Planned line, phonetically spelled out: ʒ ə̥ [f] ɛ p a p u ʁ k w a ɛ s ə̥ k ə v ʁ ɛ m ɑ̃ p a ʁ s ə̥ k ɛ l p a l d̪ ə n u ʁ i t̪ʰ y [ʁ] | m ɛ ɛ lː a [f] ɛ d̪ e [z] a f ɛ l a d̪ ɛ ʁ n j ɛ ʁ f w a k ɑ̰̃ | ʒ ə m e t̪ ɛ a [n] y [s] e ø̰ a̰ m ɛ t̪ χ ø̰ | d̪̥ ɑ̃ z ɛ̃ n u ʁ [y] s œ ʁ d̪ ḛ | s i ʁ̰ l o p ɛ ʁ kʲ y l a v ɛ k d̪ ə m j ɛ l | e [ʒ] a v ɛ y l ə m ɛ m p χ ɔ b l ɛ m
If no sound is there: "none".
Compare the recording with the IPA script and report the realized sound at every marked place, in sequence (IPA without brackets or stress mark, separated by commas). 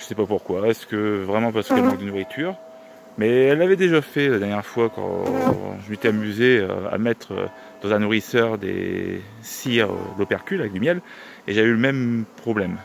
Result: s, ʁ, v, ʒ, m, z, i, ʒ